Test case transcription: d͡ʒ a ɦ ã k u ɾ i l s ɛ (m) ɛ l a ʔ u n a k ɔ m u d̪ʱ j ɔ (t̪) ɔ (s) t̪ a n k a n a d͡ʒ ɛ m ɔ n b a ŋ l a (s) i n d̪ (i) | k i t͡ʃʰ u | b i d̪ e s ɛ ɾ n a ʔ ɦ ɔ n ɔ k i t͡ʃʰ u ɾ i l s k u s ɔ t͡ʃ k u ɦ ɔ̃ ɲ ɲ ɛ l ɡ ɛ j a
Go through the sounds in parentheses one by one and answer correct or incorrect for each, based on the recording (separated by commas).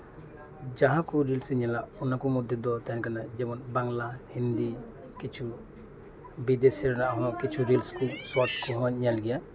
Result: incorrect, incorrect, incorrect, incorrect, correct